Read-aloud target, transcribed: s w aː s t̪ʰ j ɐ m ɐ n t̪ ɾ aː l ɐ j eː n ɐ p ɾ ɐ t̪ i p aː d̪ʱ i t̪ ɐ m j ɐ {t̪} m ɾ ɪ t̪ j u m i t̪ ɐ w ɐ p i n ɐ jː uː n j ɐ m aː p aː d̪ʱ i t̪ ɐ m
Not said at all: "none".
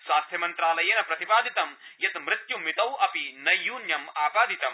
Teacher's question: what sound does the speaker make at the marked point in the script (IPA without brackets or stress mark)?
t̪